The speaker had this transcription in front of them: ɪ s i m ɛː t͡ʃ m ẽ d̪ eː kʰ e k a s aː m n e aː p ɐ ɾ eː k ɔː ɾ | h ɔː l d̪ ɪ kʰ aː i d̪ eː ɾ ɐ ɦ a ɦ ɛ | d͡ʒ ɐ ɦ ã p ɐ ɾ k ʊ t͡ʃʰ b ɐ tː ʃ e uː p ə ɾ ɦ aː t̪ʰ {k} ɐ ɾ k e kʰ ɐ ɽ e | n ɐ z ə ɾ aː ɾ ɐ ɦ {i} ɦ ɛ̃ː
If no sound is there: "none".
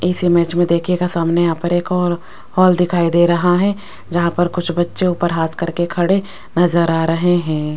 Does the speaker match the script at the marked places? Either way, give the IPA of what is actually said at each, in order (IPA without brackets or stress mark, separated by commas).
k, e